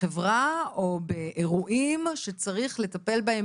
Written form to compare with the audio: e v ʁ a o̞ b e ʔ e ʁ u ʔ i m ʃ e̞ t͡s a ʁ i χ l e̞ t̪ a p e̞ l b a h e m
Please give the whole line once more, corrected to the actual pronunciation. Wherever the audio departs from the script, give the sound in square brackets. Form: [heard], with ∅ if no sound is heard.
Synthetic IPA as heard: e v ʁ a o̞ b e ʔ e ʁ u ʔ i m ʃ e̞ t͡s a ʁ i χ l e̞ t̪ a p e̞ l b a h e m